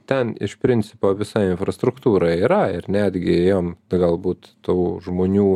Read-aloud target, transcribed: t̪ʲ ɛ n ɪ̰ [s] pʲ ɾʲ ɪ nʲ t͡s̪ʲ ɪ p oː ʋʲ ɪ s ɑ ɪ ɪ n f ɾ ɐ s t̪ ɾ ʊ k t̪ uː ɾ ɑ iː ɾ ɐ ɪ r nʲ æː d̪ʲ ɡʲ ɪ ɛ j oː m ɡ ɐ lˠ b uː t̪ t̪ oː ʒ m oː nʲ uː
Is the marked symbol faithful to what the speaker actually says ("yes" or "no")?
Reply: no